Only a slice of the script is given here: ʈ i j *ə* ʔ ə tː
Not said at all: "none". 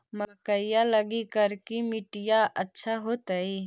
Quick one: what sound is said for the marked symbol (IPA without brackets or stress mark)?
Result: a